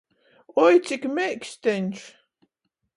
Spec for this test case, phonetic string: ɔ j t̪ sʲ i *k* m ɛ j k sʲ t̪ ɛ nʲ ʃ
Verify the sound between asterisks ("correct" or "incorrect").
correct